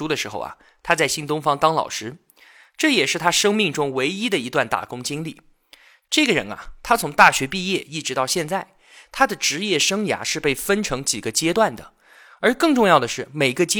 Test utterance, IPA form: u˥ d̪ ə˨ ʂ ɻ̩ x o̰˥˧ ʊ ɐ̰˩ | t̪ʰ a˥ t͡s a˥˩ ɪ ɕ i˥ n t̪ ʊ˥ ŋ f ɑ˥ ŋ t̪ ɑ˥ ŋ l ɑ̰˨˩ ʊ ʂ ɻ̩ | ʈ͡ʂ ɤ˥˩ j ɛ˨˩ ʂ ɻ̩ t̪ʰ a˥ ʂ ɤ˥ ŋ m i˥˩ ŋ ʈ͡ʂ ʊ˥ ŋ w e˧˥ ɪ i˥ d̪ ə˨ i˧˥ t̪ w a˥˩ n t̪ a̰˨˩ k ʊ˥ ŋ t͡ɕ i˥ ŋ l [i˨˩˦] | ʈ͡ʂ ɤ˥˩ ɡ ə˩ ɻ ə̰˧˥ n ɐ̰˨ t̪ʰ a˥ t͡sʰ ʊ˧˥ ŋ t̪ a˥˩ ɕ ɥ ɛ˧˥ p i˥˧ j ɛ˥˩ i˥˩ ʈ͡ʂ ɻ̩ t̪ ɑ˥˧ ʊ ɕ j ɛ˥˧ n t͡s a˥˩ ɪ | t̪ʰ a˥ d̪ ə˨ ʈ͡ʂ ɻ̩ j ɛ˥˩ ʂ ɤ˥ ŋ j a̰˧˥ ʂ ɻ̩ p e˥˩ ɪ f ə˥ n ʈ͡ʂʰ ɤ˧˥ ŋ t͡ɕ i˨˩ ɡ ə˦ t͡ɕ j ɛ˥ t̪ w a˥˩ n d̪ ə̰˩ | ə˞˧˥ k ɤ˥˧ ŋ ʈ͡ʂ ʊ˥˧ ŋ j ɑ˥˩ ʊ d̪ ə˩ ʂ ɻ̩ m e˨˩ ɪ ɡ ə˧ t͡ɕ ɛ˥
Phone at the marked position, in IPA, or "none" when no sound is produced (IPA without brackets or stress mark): i˥˩